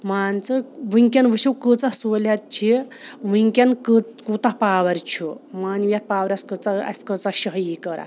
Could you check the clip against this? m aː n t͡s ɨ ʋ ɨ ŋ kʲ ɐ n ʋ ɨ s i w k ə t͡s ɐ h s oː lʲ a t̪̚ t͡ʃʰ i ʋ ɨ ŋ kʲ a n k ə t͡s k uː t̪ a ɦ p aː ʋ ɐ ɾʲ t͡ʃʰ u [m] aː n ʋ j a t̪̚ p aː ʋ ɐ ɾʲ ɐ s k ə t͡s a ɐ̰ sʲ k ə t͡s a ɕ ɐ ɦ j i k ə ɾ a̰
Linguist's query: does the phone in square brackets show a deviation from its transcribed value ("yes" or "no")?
no